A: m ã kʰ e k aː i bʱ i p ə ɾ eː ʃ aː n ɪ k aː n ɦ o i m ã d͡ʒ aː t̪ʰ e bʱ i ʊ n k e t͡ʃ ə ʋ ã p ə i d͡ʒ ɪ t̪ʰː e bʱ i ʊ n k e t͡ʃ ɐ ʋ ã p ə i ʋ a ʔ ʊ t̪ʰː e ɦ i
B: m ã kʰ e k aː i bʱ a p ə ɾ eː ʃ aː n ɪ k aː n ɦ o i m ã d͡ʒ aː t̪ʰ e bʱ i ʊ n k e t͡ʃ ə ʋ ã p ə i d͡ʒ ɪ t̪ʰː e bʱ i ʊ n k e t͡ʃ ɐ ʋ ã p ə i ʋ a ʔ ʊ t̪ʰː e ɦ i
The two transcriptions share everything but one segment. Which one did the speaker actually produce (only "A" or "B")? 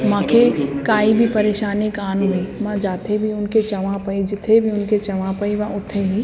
A